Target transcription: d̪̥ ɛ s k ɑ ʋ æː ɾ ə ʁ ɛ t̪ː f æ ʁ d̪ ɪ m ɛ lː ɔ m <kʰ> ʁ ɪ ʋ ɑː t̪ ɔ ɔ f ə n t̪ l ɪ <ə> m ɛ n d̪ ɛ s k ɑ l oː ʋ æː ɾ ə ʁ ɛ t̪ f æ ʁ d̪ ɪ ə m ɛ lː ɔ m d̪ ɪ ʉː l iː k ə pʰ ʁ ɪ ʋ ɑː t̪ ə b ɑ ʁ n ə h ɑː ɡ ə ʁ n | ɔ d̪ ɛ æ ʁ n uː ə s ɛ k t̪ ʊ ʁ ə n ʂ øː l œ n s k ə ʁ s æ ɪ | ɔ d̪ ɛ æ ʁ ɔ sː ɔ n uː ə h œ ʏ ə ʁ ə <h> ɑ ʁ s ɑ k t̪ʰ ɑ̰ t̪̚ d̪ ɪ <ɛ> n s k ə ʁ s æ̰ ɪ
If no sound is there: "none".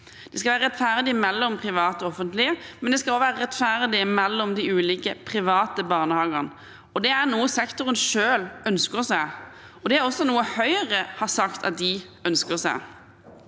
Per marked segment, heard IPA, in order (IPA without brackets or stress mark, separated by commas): pʰ, ə, h, œ